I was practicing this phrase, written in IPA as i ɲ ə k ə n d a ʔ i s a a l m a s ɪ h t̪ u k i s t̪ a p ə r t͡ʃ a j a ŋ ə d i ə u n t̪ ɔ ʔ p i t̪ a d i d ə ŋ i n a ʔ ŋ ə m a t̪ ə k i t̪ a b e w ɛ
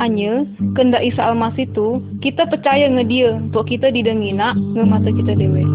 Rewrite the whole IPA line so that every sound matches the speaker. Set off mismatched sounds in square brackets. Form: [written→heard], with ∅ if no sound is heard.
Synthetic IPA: [i→a] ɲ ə k ə n d a ʔ i s a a l m a s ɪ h t̪ u k i [s→∅] t̪ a p ə r t͡ʃ a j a ŋ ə d i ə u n t̪ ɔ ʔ [p→k] i t̪ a d i d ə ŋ i n a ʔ ŋ ə m a t̪ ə k i t̪ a [b→d] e w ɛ